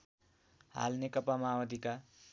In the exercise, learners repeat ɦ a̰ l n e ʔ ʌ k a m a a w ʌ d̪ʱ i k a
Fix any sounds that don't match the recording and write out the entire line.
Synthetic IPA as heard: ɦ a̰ l n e k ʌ p a m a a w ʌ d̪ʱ i k a